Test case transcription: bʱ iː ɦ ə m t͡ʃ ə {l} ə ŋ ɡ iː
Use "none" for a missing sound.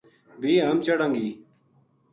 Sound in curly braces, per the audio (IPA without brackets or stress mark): ɽ